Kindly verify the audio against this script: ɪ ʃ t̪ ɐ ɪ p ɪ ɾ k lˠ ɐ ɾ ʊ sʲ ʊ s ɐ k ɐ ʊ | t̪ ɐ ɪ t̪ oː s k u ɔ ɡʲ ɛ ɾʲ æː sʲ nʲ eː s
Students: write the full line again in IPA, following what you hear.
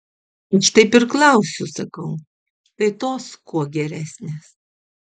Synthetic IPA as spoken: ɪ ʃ t̪ ɐ ɪ p ɪ ɾ k lˠ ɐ ʊ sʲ ʊ s ɐ k ɐ ʊ | t̪ ɐ ɪ t̪ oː s k u ɔ ɡʲ ɛ ɾʲ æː sʲ nʲ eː s